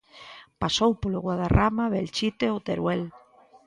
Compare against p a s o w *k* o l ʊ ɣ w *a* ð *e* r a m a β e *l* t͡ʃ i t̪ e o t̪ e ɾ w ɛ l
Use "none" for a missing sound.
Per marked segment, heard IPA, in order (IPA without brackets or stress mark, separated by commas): p, a, a, l